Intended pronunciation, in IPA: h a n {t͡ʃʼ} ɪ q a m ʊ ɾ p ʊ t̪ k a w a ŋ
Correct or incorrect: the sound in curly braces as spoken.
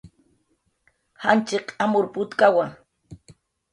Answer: incorrect: t͡ʃ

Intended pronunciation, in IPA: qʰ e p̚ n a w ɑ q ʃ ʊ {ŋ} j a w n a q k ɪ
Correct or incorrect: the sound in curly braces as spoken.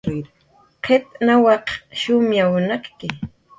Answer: incorrect: m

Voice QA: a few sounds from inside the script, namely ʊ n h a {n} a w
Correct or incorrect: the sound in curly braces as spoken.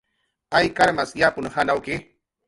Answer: correct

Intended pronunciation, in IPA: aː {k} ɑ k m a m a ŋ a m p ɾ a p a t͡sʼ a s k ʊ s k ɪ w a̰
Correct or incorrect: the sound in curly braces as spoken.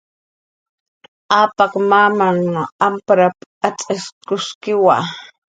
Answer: incorrect: p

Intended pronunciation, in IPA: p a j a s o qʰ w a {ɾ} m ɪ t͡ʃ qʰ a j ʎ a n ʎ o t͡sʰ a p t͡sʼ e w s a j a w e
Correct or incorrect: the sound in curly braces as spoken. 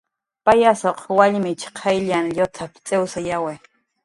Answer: incorrect: ʎ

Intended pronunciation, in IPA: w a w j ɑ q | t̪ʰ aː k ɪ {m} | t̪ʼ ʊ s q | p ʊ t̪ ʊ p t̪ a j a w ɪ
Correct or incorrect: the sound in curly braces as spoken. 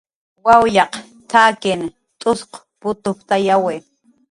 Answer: incorrect: n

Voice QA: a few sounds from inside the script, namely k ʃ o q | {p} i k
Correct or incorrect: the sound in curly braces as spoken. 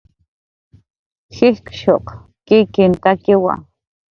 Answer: incorrect: k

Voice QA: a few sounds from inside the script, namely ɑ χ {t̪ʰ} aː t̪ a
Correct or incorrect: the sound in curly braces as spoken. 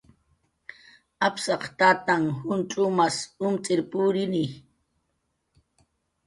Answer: incorrect: t̪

